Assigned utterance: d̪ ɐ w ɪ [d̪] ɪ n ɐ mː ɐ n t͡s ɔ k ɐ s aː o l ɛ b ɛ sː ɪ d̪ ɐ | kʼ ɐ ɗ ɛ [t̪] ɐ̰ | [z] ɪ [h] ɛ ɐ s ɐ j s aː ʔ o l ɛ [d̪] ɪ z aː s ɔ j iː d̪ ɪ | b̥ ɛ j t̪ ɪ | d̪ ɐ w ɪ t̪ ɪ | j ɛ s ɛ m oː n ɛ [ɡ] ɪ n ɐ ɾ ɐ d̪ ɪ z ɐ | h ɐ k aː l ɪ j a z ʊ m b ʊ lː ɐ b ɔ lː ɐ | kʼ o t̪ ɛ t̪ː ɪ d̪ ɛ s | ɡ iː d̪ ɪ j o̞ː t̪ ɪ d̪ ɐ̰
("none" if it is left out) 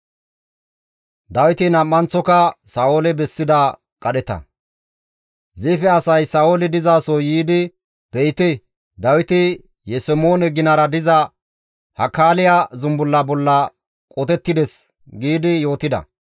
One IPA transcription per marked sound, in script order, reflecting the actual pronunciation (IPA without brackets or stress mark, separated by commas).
t̪, t̪, z, f, d̪, ɡ